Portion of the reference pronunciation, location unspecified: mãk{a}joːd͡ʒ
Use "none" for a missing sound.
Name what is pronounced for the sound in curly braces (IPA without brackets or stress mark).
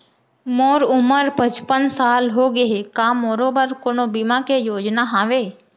e